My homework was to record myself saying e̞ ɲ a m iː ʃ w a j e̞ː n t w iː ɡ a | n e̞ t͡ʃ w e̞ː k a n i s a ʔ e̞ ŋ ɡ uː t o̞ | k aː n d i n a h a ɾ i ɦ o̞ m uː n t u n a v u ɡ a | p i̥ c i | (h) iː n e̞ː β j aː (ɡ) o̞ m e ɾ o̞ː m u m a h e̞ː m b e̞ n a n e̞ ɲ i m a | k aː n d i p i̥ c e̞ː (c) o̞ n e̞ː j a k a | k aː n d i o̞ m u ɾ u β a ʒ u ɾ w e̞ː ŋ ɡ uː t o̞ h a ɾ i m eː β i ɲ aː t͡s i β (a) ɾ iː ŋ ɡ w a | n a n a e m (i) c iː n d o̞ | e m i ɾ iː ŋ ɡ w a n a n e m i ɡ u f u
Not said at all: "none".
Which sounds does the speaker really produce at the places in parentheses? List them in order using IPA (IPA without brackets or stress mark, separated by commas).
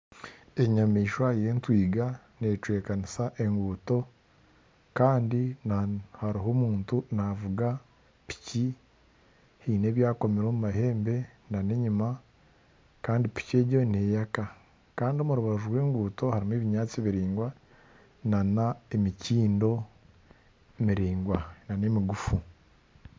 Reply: h, k, ɟ, i, i